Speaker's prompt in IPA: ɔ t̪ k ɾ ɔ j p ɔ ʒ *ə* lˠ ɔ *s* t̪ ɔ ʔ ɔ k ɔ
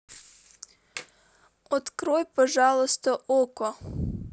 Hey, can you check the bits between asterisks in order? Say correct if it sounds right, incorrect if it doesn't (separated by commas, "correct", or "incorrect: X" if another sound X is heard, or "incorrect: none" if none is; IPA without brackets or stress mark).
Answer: incorrect: ɑ, correct